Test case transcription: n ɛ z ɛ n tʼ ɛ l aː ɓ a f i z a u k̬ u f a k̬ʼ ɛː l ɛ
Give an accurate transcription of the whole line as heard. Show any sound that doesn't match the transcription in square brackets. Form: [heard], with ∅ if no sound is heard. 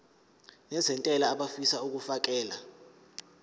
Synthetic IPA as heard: n ɛ z ɛ n tʼ ɛ l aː ɓ a f i [s] a u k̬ u f a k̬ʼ ɛː l [a]

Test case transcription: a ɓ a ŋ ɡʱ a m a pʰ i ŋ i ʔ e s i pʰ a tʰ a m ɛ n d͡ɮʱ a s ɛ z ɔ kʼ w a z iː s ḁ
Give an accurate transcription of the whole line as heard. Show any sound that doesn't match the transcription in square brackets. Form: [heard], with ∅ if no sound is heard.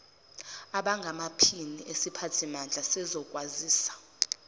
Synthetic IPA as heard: a ɓ a ŋ ɡʱ a m a pʰ i [n] i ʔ e s i pʰ a tʰ [i] m [a] n d͡ɮʱ a s ɛ z ɔ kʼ w a z iː s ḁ

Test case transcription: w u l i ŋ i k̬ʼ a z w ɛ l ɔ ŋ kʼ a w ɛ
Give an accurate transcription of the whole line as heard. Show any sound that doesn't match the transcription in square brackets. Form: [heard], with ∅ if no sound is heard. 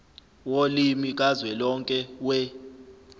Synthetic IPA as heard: w [o] l i [m] i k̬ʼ a z w ɛ l ɔ ŋ kʼ [ɛ] w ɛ

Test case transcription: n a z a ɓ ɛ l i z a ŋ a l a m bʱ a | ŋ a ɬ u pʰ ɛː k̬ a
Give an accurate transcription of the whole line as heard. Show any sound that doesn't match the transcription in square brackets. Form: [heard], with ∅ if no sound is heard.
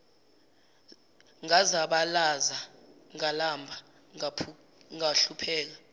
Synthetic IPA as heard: [ŋ] a z a ɓ [a] l [a] z a ŋ a l a m bʱ a | ŋ a ɬ u pʰ ɛː k̬ a

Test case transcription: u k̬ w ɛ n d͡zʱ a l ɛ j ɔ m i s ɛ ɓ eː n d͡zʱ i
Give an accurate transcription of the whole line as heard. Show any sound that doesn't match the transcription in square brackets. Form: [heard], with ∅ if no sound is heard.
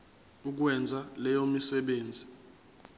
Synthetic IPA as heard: u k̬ w ɛ n d͡zʱ a l ɛ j [o] m i s ɛ ɓ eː n d͡zʱ i

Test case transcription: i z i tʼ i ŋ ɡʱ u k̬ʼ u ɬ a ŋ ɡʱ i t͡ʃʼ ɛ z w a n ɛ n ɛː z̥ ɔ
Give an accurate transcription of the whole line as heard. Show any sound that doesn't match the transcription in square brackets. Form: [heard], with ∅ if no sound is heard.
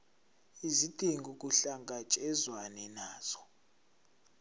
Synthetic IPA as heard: i z i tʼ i ŋ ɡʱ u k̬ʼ u ɬ a ŋ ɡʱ [a] t͡ʃʼ ɛ z w a n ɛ n [aː] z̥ ɔ

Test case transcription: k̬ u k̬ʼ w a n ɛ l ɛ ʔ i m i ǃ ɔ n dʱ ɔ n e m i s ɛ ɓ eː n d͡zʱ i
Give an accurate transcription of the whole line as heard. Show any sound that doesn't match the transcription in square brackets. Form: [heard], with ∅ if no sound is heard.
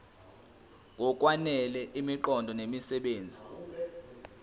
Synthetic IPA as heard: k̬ [ɔ] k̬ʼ w a n ɛ l ɛ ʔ i m i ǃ ɔ n dʱ ɔ n e m i s ɛ ɓ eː n d͡zʱ i

